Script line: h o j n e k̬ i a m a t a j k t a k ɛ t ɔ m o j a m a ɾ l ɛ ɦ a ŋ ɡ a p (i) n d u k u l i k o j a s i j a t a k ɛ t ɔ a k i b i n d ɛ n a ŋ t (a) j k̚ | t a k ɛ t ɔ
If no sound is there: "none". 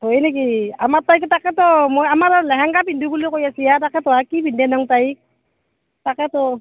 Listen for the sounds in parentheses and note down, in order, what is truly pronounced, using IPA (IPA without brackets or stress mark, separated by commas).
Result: i, a